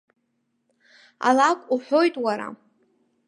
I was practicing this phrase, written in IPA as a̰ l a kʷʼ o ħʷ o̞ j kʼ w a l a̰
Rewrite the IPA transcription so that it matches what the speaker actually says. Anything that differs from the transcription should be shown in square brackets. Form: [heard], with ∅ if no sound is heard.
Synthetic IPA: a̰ l a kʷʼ [u] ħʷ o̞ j [tʼ] w a [ɾ] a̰

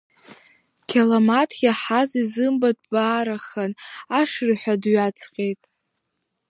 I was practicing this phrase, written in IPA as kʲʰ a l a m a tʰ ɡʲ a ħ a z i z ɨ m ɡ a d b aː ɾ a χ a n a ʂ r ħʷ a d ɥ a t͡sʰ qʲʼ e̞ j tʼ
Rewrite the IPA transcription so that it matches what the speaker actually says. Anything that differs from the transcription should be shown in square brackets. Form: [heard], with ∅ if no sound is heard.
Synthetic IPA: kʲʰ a l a m a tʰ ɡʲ a ħ a z i z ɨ m [b] a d b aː ɾ a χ a n a ʂ r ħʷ a d ɥ a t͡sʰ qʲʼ e̞ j tʼ

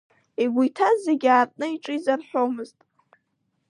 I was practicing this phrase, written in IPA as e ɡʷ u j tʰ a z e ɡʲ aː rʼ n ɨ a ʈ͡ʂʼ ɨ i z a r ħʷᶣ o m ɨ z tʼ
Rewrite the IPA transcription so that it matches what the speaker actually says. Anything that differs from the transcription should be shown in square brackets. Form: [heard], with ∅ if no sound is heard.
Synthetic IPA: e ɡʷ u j tʰ a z e ɡʲ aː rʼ n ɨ [i] ʈ͡ʂʼ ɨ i z a r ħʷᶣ o m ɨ z tʼ

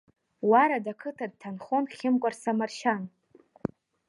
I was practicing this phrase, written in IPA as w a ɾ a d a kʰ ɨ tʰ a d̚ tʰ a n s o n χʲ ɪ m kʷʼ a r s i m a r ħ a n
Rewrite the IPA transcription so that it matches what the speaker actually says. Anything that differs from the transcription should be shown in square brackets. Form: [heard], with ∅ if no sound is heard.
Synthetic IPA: w a ɾ a d a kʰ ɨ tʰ a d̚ tʰ a n [χ] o n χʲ ɪ m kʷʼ a r s [a] m a r [ʃ] a n

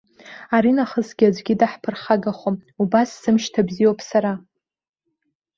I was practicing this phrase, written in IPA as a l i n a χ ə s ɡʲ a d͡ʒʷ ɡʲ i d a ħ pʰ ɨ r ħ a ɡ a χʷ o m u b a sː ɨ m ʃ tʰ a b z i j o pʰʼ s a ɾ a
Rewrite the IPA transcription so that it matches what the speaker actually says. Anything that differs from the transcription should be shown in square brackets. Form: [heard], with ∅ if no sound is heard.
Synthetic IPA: a [ɾ] i n a χ ə s ɡʲ a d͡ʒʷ ɡʲ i d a ħ pʰ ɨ r [χ] a ɡ a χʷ o m u b a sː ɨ m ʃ tʰ a b z i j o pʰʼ s a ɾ a

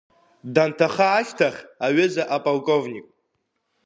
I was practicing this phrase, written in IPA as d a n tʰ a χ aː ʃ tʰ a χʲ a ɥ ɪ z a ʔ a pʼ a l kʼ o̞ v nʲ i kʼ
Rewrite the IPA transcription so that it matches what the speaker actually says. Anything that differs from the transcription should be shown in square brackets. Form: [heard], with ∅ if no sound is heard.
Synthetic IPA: d a n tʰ a χ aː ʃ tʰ a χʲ a ɥ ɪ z a ʔ a pʼ a l kʼ o̞ v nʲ i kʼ

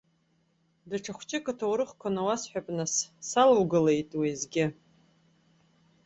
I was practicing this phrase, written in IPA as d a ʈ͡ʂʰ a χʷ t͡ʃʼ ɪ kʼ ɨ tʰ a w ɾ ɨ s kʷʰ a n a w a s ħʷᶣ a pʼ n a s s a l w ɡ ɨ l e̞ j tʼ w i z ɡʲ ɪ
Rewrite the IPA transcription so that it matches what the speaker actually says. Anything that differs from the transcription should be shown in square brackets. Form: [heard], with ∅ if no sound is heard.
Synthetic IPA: d a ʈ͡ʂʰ a χʷ t͡ʃʼ ɪ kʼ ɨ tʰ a w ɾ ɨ [χ] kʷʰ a n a w a s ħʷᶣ a pʼ n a s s a l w ɡ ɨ l e̞ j tʼ w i z ɡʲ ɪ

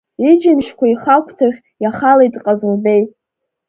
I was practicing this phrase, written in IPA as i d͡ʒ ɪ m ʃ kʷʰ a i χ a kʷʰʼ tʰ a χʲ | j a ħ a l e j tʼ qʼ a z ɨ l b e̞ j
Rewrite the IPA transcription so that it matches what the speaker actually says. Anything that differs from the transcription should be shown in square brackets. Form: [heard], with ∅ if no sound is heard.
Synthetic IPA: i d͡ʒ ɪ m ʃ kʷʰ a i χ a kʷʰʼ tʰ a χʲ | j a [χ] a l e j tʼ qʼ a z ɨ l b e̞ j

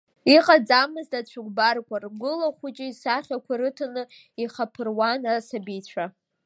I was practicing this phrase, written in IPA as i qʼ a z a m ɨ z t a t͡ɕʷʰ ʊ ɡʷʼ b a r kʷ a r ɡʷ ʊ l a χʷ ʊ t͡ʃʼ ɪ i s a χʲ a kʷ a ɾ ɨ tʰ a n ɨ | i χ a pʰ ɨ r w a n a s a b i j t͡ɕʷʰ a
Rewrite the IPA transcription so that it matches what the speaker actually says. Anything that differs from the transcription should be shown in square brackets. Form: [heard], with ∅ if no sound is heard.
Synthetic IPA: i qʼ a [d͡z] a m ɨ z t a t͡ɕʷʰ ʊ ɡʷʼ b a r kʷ a r ɡʷ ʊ l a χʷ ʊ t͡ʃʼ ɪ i s a χʲ a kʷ a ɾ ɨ tʰ a n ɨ | i χ a pʰ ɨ r w a n a s a b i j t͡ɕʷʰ a

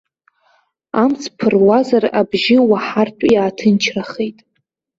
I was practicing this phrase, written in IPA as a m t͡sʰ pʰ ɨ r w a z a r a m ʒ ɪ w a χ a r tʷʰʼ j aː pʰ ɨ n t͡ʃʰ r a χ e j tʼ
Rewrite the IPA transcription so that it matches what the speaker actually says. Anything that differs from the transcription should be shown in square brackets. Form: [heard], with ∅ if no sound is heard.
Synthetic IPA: a m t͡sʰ pʰ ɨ r w a z a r a [b] ʒ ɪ w a [ħ] a r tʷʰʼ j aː [tʰ] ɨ n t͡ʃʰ r a χ e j tʼ

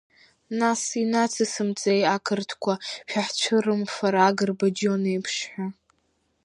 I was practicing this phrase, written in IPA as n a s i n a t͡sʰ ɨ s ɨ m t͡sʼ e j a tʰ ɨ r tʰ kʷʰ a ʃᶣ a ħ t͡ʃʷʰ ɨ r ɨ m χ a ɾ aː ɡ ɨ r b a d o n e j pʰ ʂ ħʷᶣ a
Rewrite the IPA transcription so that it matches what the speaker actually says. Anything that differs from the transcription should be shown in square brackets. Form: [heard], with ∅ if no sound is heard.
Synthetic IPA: n a s i n a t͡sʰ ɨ s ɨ m t͡sʼ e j a [kʰ] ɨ r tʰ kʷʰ a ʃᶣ a ħ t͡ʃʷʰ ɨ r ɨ m [f] a ɾ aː ɡ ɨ r b a [d͡ʒ] o n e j pʰ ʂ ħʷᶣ a

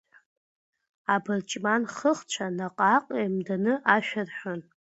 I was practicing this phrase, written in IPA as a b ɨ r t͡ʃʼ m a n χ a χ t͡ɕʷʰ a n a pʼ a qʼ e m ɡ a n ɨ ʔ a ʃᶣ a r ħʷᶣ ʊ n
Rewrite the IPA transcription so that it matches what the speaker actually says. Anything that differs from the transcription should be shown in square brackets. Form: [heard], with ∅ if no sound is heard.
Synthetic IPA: a b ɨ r t͡ʃʼ m a n χ [ə] χ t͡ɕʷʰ a n a [qʼ] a qʼ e m [d] a n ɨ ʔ a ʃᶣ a r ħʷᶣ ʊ n

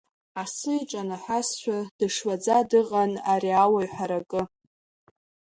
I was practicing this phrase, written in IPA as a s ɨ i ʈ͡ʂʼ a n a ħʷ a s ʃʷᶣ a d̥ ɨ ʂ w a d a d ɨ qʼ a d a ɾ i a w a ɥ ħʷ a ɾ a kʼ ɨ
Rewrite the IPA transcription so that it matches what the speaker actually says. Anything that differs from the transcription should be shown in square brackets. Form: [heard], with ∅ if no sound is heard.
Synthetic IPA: a s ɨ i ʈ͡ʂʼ a n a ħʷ a s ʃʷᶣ a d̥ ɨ ʂ w a [d͡z] a d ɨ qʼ a [n] a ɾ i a w a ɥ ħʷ a ɾ a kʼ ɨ

